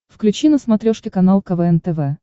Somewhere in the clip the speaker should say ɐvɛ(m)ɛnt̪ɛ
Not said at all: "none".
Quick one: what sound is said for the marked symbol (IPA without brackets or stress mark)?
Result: none